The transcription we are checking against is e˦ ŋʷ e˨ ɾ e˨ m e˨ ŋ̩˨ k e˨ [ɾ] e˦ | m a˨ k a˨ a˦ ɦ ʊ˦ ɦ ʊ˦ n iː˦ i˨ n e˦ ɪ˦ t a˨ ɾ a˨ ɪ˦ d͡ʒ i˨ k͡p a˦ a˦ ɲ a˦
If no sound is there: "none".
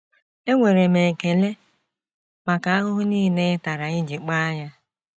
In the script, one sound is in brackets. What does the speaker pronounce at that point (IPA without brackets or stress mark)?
l